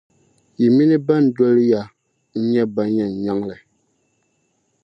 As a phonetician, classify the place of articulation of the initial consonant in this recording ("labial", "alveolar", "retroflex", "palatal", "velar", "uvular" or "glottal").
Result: labial